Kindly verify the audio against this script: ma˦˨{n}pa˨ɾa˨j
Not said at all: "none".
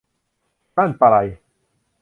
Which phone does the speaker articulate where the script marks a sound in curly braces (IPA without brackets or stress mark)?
n